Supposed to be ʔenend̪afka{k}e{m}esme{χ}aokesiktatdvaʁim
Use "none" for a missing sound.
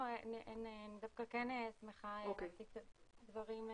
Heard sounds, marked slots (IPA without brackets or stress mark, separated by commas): k, n, χ